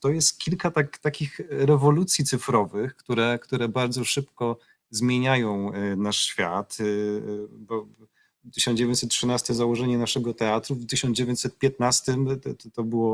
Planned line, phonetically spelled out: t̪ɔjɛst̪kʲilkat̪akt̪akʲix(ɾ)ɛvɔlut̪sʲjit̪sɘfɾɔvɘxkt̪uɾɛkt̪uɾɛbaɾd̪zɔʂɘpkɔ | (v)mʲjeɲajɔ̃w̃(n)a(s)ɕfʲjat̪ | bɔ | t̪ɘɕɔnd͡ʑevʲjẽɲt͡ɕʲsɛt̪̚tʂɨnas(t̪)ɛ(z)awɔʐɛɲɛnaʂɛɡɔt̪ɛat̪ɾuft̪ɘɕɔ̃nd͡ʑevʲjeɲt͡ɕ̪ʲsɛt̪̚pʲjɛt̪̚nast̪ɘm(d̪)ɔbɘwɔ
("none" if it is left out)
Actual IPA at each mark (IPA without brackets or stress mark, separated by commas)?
ɾ, z, n, ʂ, t̪, z, t̪